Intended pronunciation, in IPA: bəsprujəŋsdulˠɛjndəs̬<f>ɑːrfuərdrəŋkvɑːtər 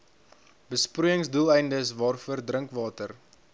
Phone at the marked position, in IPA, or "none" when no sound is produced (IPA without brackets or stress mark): v